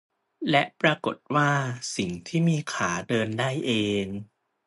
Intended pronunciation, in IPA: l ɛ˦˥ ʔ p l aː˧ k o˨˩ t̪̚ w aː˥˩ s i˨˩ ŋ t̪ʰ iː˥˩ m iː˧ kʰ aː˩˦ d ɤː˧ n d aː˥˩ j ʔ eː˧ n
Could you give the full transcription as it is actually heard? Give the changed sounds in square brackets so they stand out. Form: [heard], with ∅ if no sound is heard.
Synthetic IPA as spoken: l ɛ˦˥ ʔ p [ɾ] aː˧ k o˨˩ t̪̚ w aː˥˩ s i˨˩ ŋ t̪ʰ iː˥˩ m iː˧ kʰ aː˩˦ d ɤː˧ n d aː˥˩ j ʔ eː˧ [ŋ]